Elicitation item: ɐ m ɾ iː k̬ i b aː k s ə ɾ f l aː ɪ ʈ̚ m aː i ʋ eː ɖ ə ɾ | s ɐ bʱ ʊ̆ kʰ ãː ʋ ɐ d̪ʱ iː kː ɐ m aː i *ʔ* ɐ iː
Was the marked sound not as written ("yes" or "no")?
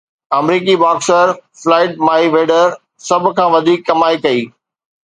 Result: yes